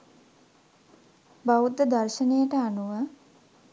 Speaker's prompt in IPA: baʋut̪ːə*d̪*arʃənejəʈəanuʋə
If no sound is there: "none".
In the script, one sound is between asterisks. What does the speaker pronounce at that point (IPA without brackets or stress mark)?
d̪